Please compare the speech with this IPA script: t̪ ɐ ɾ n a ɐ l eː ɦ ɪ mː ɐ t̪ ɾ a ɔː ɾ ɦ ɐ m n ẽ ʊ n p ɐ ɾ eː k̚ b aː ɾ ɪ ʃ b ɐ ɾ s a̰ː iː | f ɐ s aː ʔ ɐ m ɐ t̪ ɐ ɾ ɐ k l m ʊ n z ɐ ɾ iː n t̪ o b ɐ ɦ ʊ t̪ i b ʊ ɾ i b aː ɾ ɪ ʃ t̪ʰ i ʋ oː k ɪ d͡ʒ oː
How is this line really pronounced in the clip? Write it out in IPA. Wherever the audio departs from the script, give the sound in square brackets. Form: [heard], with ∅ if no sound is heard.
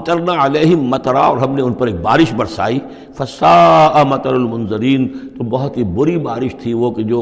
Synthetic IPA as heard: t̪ ɐ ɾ n a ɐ l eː ɦ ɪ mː ɐ t̪ ɾ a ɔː ɾ ɦ ɐ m n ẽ ʊ n p ɐ ɾ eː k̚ b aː ɾ ɪ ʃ b ɐ ɾ s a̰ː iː | f ɐ s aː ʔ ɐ m ɐ t̪ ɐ ɾ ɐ [∅] l m ʊ n z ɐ ɾ iː n t̪ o b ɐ ɦ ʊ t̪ i b ʊ ɾ i b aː ɾ ɪ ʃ t̪ʰ i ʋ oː k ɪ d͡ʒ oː